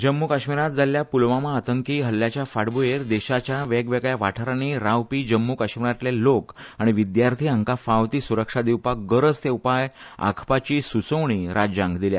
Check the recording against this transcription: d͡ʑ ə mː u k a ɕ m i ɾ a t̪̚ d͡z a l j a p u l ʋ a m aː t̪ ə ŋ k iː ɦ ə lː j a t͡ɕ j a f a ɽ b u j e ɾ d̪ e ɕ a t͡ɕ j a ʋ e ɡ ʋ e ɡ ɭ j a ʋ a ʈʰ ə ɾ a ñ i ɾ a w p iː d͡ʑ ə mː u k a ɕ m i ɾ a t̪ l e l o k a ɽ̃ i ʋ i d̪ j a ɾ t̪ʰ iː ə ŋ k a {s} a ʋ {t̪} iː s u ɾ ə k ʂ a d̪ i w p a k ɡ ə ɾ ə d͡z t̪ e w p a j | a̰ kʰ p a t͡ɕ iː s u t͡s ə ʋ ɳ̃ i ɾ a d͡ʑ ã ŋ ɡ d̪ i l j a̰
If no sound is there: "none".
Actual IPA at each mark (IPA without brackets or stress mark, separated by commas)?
f, t̪